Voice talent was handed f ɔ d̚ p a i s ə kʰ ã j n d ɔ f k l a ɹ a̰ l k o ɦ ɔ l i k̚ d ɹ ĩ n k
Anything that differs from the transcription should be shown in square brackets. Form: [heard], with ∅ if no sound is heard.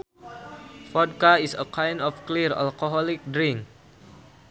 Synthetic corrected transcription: f ɔ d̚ [k] a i s ə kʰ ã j n d ɔ f k l [i] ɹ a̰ l k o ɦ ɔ l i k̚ d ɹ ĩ [ŋ] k